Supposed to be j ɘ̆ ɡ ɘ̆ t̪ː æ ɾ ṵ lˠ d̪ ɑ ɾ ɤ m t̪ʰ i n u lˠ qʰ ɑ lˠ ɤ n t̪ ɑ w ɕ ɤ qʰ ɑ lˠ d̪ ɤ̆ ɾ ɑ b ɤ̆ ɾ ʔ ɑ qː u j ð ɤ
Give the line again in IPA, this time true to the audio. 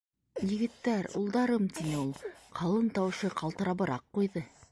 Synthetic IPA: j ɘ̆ ɡ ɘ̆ t̪ː æ ɾ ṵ lˠ d̪ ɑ ɾ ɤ m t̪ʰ i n u lˠ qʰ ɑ lˠ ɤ n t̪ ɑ w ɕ ɤ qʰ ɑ lˠ t̪ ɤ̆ ɾ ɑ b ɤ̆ ɾ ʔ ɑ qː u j ð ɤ